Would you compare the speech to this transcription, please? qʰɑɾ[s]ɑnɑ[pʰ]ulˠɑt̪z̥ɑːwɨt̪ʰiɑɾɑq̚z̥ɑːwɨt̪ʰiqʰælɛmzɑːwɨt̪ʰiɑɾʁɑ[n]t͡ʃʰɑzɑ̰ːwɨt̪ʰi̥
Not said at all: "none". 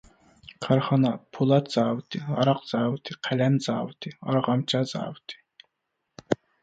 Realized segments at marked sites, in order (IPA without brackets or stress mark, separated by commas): χ, pʰ, m